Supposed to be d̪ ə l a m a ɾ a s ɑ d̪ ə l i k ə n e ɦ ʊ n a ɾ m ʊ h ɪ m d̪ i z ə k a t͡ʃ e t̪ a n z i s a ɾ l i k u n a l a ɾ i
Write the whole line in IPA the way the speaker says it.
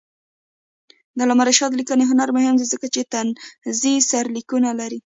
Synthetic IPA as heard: d̪ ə l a m a ɾ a ʃ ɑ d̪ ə l i k ə n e ɦ ʊ n a ɾ m ʊ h ɪ m d̪ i z ə k a t͡ʃ e t̪ a n z i s a ɾ l i k u n a l a ɾ i